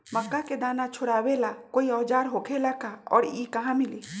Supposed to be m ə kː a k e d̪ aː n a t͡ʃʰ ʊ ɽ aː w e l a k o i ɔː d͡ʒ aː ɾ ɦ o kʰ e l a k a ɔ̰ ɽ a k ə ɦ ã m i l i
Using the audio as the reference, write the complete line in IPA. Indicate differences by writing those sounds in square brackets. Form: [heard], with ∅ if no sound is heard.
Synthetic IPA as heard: m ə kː a k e d̪ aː n a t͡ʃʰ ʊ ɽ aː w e l a k o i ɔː d͡ʒ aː ɾ ɦ o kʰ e l a k a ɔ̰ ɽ [i] k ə ɦ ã m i l i